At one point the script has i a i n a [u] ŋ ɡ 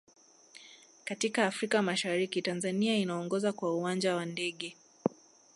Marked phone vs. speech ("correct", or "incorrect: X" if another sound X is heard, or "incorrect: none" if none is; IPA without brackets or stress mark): incorrect: ɔ